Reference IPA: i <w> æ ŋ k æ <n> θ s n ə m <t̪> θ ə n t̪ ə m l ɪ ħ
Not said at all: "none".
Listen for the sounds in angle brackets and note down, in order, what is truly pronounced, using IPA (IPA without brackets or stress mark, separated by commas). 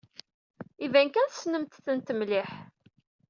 v, n, t̪